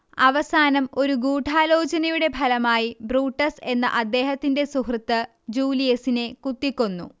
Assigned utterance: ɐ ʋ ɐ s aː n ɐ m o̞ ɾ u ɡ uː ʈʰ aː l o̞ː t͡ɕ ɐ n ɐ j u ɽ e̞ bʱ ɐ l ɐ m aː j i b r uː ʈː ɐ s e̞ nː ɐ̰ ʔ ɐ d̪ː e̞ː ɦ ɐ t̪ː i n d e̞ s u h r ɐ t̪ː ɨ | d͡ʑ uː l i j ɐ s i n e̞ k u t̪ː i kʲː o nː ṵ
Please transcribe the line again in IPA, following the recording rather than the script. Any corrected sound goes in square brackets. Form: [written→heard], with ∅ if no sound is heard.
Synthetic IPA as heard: ɐ ʋ ɐ s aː n ɐ m o̞ ɾ u ɡ uː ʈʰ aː l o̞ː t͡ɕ ɐ n ɐ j u ɽ e̞ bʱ ɐ l ɐ m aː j i b r uː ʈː ɐ s e̞ nː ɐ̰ ʔ ɐ d̪ː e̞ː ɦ ɐ t̪ː i n d e̞ s u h r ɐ t̪ː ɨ | d͡ʑ uː l i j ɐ s i n e̞ k u t̪ː i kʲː o nː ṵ